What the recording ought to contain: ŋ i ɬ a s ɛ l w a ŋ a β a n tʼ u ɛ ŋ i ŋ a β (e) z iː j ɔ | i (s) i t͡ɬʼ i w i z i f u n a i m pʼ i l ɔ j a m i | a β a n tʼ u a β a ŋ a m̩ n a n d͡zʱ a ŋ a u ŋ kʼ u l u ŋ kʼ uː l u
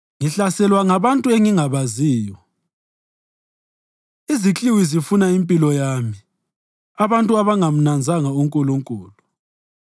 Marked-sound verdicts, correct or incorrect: incorrect, incorrect

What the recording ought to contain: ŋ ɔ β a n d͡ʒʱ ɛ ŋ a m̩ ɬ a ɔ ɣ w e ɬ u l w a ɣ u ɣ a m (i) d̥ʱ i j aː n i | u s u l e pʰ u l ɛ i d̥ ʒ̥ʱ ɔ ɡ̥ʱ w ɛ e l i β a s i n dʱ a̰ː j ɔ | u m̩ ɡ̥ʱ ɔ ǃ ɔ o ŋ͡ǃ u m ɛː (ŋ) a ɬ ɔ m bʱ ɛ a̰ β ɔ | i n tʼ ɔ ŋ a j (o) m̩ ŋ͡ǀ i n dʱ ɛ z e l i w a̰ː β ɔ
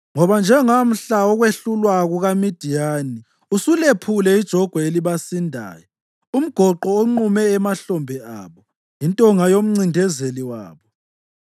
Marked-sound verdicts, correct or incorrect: correct, incorrect, correct

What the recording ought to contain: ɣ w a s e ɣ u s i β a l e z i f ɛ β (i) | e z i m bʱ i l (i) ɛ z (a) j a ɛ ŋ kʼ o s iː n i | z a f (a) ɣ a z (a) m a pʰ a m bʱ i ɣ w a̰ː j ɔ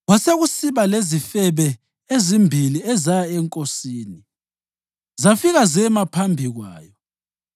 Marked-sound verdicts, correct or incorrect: incorrect, correct, correct, incorrect, incorrect

